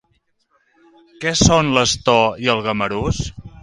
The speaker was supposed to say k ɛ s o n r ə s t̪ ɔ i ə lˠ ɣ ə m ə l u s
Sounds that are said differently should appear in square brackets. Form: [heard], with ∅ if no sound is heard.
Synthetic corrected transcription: k ɛ s o n [l] ə s t̪ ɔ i ə lˠ ɣ ə m ə [ɾ] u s